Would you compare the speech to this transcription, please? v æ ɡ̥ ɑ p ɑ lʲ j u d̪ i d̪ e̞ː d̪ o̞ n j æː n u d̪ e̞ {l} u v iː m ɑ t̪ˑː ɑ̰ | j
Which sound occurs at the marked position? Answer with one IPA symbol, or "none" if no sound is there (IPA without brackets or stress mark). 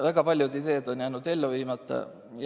lː